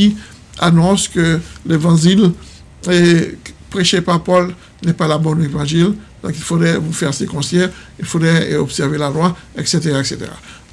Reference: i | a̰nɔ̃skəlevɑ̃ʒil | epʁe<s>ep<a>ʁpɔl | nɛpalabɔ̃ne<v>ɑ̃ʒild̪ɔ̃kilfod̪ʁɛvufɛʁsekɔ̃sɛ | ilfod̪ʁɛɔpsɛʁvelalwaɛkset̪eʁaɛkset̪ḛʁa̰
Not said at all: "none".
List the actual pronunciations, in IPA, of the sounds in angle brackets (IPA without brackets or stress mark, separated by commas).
ʃ, a, v